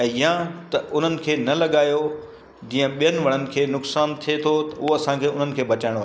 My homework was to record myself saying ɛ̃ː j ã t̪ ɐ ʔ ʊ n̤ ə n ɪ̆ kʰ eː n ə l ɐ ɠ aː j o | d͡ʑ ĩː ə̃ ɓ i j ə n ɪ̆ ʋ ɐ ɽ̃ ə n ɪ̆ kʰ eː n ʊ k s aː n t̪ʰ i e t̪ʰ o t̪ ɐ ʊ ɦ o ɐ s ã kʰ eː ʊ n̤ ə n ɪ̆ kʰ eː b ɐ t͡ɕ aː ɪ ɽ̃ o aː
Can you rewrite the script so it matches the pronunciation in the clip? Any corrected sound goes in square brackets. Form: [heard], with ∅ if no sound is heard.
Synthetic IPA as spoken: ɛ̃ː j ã t̪ ɐ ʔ ʊ n̤ ə n ɪ̆ kʰ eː n [ɐ] l ɐ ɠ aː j o | d͡ʑ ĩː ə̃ ɓ i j ə n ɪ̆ ʋ ɐ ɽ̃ ə n ɪ̆ kʰ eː n ʊ k s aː n t̪ʰ i e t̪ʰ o t̪ ɐ ʊ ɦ o ɐ s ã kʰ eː ʊ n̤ ə n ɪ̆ kʰ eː b ɐ t͡ɕ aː ɪ ɽ̃ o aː